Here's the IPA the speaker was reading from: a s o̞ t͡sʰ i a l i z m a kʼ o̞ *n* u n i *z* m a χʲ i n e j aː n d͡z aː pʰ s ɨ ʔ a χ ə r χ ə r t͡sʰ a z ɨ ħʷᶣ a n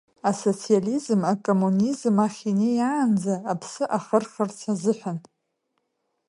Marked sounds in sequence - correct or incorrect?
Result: incorrect: m, correct

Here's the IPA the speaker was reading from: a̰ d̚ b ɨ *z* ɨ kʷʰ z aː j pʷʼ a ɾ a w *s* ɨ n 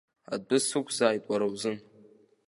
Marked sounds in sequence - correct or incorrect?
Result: incorrect: s, incorrect: z

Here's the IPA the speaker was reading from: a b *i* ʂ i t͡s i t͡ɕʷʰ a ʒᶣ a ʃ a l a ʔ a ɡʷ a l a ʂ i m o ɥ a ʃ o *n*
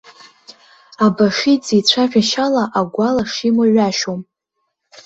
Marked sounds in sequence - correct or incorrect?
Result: incorrect: a, incorrect: m

